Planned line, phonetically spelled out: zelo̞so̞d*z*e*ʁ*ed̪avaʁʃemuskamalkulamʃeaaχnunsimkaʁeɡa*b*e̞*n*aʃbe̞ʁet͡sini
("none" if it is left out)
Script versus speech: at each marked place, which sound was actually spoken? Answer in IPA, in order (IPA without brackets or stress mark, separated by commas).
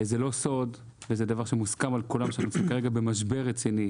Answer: v, z, b, m